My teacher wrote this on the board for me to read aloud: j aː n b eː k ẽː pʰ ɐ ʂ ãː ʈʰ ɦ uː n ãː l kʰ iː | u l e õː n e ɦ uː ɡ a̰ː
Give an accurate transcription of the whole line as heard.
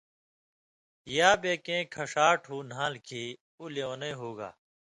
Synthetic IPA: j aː b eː k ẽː kʰ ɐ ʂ aː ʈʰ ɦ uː n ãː l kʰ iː | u l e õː n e ɦ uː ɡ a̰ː